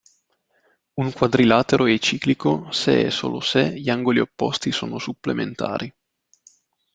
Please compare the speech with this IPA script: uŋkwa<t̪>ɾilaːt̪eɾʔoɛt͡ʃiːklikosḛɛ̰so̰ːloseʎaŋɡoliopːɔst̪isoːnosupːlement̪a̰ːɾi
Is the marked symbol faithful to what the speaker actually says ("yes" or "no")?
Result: no